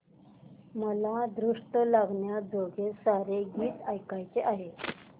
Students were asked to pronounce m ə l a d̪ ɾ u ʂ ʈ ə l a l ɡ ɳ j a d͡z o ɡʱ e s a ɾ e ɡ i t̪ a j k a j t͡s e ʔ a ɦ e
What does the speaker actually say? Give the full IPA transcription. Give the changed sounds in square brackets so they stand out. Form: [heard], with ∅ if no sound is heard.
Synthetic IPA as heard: m ə l a d̪ ɾ u ʂ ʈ ə l a [∅] ɡ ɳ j a d͡z o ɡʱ e s a ɾ e ɡ [iː] t̪ a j k a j t͡s e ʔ a ɦ e